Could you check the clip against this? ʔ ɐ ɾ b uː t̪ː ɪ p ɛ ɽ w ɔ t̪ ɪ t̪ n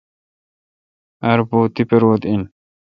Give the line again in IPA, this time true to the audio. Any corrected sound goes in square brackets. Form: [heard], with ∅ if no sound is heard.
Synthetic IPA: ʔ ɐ ɾ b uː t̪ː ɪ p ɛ [ɾ] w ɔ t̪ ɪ [∅] n